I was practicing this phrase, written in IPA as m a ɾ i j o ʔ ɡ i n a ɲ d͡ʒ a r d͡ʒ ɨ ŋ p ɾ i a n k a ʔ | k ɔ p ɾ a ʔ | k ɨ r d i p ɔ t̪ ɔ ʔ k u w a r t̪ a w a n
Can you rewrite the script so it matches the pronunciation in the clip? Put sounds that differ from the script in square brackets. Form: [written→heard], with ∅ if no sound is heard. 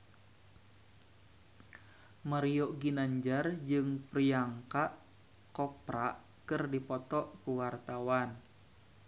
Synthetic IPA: m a ɾ i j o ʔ ɡ i n a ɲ d͡ʒ a r d͡ʒ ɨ ŋ p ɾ i a [n→ŋ] k a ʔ | k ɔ p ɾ a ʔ | k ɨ r d i p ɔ t̪ ɔ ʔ k u w a r t̪ a w a n